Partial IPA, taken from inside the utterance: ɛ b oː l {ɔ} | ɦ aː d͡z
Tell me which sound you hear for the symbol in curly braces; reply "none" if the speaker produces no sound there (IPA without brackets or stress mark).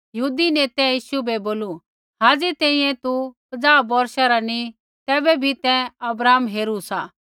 u